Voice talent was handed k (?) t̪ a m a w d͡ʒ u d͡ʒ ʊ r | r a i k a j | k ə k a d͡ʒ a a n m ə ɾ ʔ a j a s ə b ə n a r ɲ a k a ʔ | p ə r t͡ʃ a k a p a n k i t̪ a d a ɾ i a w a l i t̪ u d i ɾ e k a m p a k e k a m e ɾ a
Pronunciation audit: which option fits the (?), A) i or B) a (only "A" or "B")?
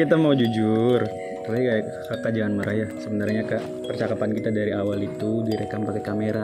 A